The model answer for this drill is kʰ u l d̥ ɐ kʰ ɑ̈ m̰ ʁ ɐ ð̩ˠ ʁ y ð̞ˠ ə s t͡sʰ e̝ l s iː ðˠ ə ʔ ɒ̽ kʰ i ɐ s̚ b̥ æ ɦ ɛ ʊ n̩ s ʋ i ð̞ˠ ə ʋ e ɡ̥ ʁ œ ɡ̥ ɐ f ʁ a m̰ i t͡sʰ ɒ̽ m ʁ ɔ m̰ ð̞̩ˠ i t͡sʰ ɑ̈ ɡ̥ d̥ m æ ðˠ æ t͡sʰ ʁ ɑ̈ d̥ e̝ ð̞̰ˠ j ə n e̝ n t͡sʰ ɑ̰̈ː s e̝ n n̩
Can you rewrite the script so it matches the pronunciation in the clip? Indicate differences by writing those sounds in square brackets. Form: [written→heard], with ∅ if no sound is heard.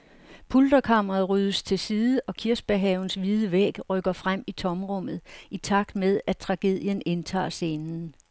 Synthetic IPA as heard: [kʰ→pʰ] u l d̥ ɐ kʰ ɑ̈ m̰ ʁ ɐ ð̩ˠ ʁ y ð̞ˠ ə s t͡sʰ e̝ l s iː ðˠ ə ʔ ɒ̽ kʰ i ɐ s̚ b̥ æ ɦ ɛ ʊ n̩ s ʋ i ð̞ˠ ə ʋ e ɡ̥ ʁ œ ɡ̥ ɐ f ʁ a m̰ i t͡sʰ ɒ̽ m ʁ ɔ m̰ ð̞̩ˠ i t͡sʰ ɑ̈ ɡ̥ d̥ m [æ→e] ðˠ æ t͡sʰ ʁ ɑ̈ [d̥→ɡ̥] e̝ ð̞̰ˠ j ə n e̝ n t͡sʰ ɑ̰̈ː s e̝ n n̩

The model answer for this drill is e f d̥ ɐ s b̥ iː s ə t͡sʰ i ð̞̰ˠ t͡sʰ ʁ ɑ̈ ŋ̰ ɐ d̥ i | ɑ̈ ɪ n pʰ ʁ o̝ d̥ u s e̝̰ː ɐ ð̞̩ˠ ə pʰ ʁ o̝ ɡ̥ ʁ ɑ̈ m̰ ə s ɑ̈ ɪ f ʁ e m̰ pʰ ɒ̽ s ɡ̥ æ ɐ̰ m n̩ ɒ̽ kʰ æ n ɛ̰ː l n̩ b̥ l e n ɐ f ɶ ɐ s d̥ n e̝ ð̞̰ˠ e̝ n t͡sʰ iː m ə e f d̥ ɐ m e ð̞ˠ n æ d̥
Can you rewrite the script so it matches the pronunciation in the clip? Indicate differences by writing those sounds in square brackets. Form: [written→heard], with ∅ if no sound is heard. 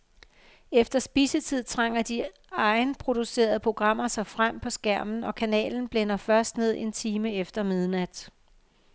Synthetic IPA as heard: e f d̥ ɐ s b̥ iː s ə t͡sʰ i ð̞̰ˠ t͡sʰ ʁ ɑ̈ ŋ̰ ɐ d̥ i | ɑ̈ ɪ n pʰ ʁ o̝ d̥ u s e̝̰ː ɐ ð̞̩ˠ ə pʰ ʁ o̝ ɡ̥ ʁ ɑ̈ m̰ [ə→ɐ] s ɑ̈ ɪ f ʁ [e→a] m̰ pʰ ɒ̽ s ɡ̥ æ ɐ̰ m n̩ ɒ̽ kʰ æ n ɛ̰ː l n̩ b̥ l e n ɐ f ɶ ɐ s d̥ n e̝ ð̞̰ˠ e̝ n t͡sʰ iː m ə e f d̥ ɐ m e ð̞ˠ n æ d̥

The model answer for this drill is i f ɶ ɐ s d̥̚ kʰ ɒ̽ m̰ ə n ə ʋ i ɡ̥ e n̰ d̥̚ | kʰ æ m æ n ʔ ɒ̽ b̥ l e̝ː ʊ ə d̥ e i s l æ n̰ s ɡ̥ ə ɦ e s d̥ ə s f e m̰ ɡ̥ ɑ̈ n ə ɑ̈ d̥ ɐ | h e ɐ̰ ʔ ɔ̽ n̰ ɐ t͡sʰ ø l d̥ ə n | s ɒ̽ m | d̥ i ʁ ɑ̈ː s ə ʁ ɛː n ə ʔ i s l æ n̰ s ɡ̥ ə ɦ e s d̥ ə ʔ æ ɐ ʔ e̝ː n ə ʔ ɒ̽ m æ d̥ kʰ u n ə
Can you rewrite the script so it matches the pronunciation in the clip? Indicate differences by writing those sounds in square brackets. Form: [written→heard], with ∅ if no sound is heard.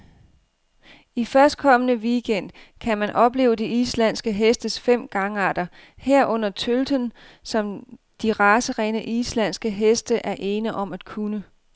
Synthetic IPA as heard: i f ɶ ɐ s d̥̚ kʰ ɒ̽ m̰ ə n ə ʋ i ɡ̥ e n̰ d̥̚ | kʰ æ m æ n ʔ ɒ̽ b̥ l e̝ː ʊ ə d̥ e i s l æ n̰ s ɡ̥ ə ɦ e s d̥ ə s f e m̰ ɡ̥ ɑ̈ [n→ŋ] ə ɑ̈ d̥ ɐ | h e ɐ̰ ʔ ɔ̽ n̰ ɐ t͡sʰ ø l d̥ ə n | s ɒ̽ m | d̥ i ʁ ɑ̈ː s ə ʁ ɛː n ə ʔ i s l æ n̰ s ɡ̥ ə ɦ e s d̥ ə ʔ æ ɐ ʔ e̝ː n ə ʔ ɒ̽ m æ d̥ kʰ u n ə

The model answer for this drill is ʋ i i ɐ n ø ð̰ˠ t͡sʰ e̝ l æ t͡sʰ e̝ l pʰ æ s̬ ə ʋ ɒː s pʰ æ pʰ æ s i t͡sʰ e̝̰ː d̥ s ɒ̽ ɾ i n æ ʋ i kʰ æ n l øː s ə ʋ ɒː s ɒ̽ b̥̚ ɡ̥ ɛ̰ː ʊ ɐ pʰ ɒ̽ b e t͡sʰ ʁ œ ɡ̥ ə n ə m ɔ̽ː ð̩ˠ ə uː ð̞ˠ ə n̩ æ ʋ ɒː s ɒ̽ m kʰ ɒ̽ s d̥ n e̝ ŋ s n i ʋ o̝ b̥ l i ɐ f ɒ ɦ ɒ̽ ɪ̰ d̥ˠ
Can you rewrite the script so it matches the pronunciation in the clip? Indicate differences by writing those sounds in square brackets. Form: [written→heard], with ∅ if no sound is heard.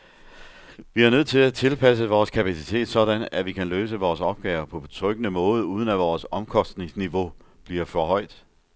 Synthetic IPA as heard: ʋ i [i→æ] ɐ n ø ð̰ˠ t͡sʰ e̝ l æ t͡sʰ e̝ l pʰ æ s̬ ə ʋ ɒː s [pʰ→kʰ] æ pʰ æ s i t͡sʰ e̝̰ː d̥ s ɒ̽ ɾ [i→æ] n æ ʋ i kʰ æ n l øː s ə ʋ ɒː s ɒ̽ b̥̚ ɡ̥ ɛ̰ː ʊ ɐ pʰ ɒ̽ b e t͡sʰ ʁ œ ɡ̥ ə n ə m ɔ̽ː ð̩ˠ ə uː ð̞ˠ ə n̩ æ ʋ ɒː s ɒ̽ m kʰ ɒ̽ s d̥ n e̝ ŋ s n i ʋ o̝ b̥ l i ɐ f ɒ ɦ ɒ̽ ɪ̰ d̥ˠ

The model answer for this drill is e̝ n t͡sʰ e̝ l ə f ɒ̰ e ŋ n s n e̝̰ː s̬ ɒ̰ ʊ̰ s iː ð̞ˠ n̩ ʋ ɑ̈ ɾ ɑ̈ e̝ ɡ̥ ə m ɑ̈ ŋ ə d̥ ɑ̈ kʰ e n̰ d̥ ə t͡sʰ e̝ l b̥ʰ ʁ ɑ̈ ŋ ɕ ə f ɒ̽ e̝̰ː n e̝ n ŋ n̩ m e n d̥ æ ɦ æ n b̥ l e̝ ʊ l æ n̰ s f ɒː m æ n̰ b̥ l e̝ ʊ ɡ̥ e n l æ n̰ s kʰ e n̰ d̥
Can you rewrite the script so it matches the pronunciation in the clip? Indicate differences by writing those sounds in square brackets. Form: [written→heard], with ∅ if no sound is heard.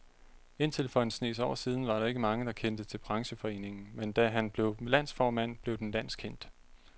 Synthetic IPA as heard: e̝ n t͡sʰ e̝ l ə f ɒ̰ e [ŋ→∅] n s n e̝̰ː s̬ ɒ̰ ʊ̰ s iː ð̞ˠ n̩ ʋ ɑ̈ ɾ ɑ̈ e̝ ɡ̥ ə m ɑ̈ ŋ ə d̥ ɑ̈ kʰ e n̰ d̥ ə t͡sʰ e̝ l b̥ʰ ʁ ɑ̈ ŋ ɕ ə f ɒ̽ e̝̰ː n e̝ [n→∅] ŋ n̩ m e n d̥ æ ɦ æ n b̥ l e̝ ʊ l æ n̰ s f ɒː m æ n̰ b̥ l e̝ ʊ [ɡ̥→d̥] e n l æ n̰ s kʰ e n̰ d̥

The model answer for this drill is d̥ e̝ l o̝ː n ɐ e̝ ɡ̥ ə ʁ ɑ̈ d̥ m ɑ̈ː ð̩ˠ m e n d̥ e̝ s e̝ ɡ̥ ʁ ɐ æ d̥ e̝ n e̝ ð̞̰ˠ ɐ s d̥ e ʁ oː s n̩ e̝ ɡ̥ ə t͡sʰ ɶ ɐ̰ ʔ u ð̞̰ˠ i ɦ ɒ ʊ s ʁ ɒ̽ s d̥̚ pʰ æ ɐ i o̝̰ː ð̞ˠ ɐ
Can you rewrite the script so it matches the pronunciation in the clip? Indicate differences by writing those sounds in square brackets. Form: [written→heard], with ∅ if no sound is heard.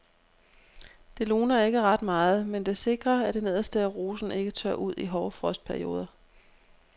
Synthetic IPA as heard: d̥ e̝ l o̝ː n ɐ e̝ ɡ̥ ə ʁ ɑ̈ d̥ m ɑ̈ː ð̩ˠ m e n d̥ e̝ s e̝ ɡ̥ ʁ ɐ æ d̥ e̝ n e̝ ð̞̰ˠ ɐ s d̥ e ʁ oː s n̩ e̝ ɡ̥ ə t͡sʰ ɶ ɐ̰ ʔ u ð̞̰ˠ i ɦ ɒ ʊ [s→f] ʁ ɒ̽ s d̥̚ pʰ æ ɐ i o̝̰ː ð̞ˠ ɐ

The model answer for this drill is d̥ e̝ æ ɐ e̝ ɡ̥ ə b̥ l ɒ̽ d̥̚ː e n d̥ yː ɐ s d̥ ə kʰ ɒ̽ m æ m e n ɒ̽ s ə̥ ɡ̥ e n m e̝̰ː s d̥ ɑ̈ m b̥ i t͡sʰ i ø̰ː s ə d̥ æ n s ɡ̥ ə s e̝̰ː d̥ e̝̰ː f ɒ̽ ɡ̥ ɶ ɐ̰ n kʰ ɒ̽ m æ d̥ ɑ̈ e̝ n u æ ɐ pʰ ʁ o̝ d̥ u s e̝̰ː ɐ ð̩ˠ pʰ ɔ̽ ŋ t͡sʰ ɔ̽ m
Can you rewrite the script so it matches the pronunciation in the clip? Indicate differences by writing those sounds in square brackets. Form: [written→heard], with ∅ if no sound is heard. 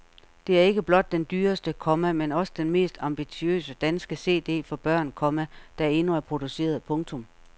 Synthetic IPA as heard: d̥ e̝ æ ɐ e̝ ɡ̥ ə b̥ l ɒ̽ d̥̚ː e n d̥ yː ɐ s d̥ ə kʰ ɒ̽ m æ m e n ɒ̽ s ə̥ [ɡ̥→d̥] e n m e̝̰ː s d̥ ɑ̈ m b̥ i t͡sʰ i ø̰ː s ə d̥ æ n s ɡ̥ ə s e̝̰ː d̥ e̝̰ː f ɒ̽ [ɡ̥→b̥] ɶ ɐ̰ n kʰ ɒ̽ m æ d̥ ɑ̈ e̝ n u æ ɐ pʰ ʁ o̝ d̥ u s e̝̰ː ɐ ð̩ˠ pʰ ɔ̽ ŋ t͡sʰ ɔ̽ m

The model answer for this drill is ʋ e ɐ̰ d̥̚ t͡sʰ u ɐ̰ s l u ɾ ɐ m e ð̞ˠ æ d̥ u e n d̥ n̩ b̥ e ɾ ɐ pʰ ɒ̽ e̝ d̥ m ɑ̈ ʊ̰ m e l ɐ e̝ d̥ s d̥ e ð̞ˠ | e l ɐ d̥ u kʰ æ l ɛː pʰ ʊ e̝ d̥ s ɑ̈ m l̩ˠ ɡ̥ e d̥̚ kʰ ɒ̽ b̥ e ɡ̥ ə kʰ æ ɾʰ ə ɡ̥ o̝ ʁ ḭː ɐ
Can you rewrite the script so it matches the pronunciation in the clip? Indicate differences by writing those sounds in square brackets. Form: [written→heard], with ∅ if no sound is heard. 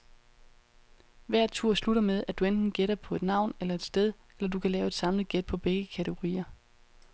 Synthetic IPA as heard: ʋ [e→æ] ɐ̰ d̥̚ t͡sʰ u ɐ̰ s l u ɾ ɐ m e ð̞ˠ æ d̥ u e n d̥ n̩ [b̥→ɡ̥] e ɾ ɐ pʰ ɒ̽ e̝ d̥ [m→n] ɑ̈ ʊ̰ [m→n] e l ɐ e̝ d̥ s d̥ e ð̞ˠ | e l ɐ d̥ u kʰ æ l ɛː [pʰ→∅] ʊ e̝ d̥ s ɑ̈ m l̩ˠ ɡ̥ e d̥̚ [kʰ→pʰ] ɒ̽ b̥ e ɡ̥ ə kʰ æ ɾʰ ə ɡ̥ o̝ ʁ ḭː ɐ

